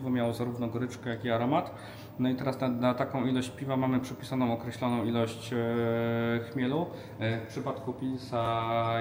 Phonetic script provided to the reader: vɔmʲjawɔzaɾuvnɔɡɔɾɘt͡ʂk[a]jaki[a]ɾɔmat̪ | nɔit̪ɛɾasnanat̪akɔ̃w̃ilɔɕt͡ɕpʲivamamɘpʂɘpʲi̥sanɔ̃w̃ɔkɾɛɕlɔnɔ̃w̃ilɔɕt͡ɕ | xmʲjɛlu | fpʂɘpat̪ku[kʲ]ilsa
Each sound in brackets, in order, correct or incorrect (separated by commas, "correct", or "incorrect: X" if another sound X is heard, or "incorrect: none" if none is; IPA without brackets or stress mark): incorrect: ɛ, correct, incorrect: pʲ